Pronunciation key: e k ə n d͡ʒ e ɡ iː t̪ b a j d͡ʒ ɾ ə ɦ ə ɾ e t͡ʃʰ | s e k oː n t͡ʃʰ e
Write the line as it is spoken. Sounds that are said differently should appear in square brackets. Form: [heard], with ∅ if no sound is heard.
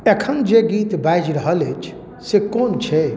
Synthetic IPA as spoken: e [kʰ] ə n d͡ʒ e ɡ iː t̪ b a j d͡ʒ ɾ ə ɦ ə [l] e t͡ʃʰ | s e k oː n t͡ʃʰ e